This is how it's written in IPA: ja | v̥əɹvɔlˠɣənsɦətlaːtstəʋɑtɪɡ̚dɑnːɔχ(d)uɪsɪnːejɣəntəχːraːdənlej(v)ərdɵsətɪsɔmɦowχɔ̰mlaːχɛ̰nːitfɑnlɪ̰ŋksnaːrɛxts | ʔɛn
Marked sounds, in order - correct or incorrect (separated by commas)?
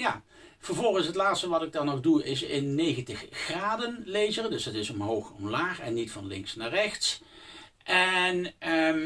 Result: correct, incorrect